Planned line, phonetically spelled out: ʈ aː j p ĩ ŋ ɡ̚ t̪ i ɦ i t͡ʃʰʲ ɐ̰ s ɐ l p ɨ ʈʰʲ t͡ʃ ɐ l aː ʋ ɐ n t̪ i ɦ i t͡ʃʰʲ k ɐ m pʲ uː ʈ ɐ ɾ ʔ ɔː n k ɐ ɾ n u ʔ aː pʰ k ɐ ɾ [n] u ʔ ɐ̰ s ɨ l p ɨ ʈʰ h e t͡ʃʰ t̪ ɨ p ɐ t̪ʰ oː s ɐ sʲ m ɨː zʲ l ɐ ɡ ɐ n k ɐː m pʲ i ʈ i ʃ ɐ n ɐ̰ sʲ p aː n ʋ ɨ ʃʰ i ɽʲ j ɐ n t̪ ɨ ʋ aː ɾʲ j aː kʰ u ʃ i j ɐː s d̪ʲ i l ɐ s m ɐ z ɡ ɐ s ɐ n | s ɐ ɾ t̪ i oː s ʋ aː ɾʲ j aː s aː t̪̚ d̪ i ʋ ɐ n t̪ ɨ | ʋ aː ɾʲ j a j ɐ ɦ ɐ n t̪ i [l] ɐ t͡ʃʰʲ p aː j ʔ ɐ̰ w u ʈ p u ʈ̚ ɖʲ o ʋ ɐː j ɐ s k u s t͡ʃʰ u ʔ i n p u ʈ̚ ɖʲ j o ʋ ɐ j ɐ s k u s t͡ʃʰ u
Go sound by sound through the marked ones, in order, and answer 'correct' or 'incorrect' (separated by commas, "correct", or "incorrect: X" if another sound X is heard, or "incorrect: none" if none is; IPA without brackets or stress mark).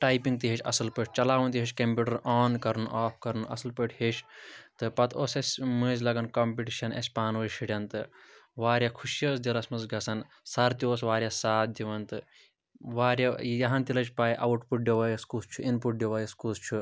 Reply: correct, correct